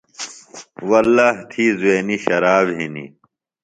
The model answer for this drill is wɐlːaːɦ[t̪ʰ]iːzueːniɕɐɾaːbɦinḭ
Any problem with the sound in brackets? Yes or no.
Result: no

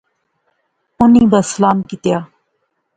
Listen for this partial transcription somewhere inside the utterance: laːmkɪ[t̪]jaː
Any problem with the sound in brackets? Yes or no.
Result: no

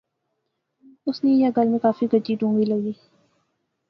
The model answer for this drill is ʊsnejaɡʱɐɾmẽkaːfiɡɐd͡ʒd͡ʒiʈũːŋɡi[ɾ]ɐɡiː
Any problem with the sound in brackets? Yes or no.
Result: yes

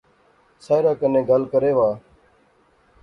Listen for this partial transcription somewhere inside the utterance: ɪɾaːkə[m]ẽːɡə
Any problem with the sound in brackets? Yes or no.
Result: yes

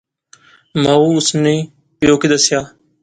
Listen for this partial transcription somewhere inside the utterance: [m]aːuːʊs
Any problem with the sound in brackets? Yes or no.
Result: no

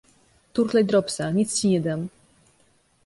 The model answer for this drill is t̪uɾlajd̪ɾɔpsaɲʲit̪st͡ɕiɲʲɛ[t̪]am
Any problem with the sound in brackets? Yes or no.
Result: yes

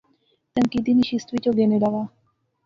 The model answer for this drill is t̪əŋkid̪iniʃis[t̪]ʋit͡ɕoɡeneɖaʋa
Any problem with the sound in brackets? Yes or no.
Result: no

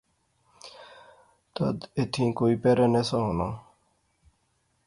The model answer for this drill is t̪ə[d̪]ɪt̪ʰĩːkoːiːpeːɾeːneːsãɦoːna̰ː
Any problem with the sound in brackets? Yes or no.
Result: no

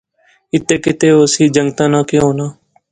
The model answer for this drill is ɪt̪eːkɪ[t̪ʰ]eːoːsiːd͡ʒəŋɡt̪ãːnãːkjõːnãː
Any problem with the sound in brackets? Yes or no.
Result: yes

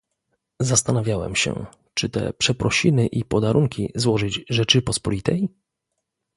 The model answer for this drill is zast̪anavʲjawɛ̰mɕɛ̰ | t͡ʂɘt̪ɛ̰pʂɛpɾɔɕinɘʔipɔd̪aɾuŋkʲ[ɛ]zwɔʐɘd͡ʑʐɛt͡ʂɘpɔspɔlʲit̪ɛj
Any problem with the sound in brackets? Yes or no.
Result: yes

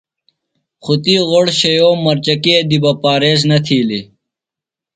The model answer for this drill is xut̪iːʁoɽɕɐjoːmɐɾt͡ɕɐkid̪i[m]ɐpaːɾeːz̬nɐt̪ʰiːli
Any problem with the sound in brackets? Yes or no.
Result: yes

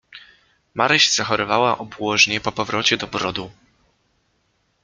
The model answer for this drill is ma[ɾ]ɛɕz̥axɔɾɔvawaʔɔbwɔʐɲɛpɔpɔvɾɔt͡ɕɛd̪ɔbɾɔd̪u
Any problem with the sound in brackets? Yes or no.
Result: no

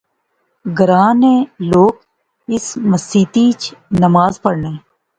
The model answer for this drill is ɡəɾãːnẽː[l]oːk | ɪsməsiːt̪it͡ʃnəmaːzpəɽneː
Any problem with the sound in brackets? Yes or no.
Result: no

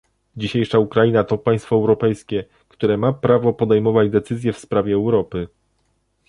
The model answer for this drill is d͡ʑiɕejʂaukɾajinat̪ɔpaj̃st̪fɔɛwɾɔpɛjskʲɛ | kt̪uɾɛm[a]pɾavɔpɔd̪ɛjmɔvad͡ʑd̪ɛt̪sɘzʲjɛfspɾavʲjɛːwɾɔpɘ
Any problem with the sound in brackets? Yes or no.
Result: no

